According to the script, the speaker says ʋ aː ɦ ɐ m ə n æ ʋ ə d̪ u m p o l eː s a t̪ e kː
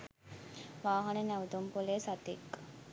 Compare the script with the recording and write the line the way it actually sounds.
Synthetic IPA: ʋ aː ɦ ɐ n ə n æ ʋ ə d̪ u m p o l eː s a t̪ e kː